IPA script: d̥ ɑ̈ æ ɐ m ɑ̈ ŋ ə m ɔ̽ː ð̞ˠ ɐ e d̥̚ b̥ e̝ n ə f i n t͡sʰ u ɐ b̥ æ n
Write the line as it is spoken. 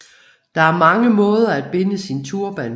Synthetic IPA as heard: d̥ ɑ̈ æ ɐ m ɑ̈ ŋ ə m ɔ̽ː ð̞ˠ ɐ æ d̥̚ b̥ e̝ n ə s i n t͡sʰ u ɐ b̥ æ n